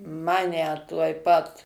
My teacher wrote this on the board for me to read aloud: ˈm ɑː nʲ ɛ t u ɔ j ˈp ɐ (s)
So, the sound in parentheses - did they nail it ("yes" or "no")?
no